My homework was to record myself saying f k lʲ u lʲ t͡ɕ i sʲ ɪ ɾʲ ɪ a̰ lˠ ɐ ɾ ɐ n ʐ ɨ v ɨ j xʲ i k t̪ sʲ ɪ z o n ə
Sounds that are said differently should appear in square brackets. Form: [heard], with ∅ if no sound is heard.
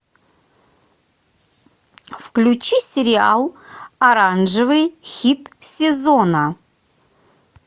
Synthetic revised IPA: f k lʲ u [∅] t͡ɕ i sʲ ɪ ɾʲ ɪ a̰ lˠ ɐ ɾ [a] n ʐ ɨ v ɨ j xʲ i [∅] t̪ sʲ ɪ z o n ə

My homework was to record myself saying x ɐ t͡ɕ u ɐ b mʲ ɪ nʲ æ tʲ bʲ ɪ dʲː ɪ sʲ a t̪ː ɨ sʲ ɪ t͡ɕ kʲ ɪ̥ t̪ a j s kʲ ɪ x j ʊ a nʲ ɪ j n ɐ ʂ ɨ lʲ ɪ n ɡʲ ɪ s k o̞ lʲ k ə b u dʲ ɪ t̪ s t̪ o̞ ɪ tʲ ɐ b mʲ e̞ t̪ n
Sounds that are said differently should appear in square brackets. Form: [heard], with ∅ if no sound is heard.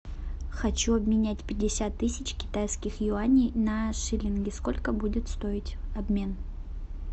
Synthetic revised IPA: x ɐ t͡ɕ u ɐ b mʲ ɪ nʲ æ tʲ [pʲ] ɪ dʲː ɪ sʲ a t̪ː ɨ sʲ ɪ t͡ɕ kʲ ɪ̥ t̪ a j s kʲ ɪ x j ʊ a nʲ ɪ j n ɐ ʂ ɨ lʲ ɪ n ɡʲ ɪ s k o̞ lʲ k ə b u dʲ ɪ t̪ s t̪ o̞ ɪ tʲ ɐ b mʲ e̞ [∅] n

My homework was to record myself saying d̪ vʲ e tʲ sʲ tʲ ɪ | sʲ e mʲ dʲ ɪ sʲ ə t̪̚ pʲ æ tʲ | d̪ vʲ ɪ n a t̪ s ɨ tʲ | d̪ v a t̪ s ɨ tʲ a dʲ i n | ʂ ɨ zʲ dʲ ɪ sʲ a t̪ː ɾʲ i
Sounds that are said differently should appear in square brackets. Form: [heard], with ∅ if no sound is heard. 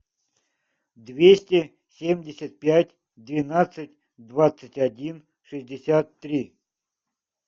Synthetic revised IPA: d̪ vʲ e [∅] sʲ tʲ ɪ | sʲ e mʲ dʲ ɪ sʲ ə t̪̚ pʲ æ tʲ | d̪ vʲ ɪ n a t̪ s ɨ tʲ | d̪ v a t̪ s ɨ tʲ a dʲ i n | ʂ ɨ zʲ dʲ ɪ sʲ a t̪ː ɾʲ i

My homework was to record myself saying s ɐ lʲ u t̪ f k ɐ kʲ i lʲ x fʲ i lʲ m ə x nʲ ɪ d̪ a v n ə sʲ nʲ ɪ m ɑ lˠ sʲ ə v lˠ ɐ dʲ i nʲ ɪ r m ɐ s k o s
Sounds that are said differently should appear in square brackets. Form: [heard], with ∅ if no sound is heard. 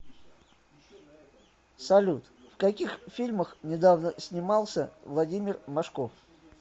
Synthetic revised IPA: s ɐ lʲ u t̪ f k ɐ kʲ i [∅] x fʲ i lʲ m ə x nʲ ɪ d̪ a v n ə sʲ nʲ ɪ m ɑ lˠ sʲ ə v lˠ ɐ dʲ i [mʲ] ɪ r m ɐ [ʂ] k o [f]

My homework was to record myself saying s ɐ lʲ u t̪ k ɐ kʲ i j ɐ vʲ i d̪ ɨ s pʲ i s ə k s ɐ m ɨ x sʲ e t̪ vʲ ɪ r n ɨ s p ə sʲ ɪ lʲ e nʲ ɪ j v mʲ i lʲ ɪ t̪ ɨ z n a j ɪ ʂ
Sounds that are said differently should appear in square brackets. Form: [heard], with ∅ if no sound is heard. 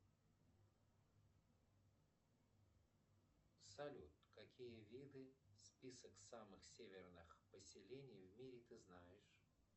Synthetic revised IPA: s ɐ lʲ u t̪ k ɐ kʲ i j [ə] vʲ i d̪ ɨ s pʲ i s ə k s [a] m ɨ x sʲ e [∅] vʲ ɪ r n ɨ [x] p ə sʲ ɪ lʲ e nʲ ɪ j v mʲ i [ɾʲ] ɪ t̪ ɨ z n a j ɪ ʂ

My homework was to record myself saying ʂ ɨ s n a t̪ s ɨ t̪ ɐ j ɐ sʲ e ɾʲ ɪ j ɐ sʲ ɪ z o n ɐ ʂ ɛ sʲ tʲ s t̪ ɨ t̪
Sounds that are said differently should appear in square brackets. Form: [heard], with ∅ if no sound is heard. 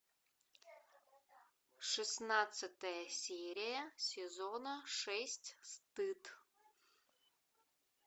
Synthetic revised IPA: ʂ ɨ s n a t̪ s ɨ t̪ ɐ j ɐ sʲ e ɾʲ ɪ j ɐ sʲ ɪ z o n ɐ ʂ ɛ sʲ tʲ s t̪ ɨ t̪

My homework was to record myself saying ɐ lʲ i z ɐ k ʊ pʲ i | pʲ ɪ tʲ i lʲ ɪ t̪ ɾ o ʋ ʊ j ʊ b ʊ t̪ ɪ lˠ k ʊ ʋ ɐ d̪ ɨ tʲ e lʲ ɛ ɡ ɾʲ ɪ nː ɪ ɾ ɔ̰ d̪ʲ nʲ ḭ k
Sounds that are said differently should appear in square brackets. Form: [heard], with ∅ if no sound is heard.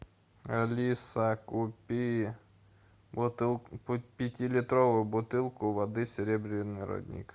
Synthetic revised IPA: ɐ lʲ i [s] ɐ k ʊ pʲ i | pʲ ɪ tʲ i lʲ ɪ t̪ ɾ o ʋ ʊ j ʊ b ʊ t̪ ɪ lˠ k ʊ ʋ ɐ d̪ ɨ [sʲ] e [ɾʲ] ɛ [b] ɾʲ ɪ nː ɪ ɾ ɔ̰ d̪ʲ nʲ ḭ k

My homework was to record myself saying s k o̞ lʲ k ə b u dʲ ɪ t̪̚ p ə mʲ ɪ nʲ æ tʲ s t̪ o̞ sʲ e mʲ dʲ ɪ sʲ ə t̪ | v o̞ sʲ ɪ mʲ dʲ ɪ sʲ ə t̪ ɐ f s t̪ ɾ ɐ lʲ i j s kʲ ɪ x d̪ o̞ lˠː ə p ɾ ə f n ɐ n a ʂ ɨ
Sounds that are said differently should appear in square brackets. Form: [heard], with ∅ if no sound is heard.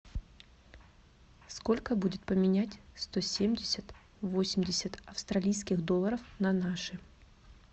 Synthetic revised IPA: s k o̞ lʲ k ə b u dʲ ɪ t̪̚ p ə mʲ ɪ nʲ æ tʲ s t̪ o̞ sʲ e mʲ dʲ ɪ sʲ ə t̪ | v o̞ sʲ ɪ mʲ dʲ ɪ sʲ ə t̪ ɐ f s t̪ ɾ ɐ lʲ i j s kʲ ɪ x d̪ o̞ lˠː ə [∅] ɾ ə f n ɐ n a ʂ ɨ

